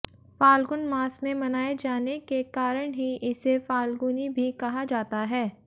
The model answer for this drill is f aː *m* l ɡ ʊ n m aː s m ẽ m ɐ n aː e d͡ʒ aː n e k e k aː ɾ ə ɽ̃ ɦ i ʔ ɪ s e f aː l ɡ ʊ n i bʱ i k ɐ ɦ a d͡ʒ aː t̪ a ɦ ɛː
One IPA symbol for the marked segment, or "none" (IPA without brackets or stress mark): none